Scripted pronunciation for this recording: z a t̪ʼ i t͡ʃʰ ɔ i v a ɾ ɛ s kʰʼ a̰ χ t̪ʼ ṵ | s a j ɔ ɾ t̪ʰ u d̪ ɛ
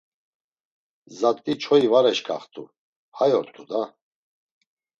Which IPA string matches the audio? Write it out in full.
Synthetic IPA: z a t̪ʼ i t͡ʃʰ ɔ i v a ɾ ɛ ʃ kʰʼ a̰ χ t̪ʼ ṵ | h a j ɔ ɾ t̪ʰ u d̪ a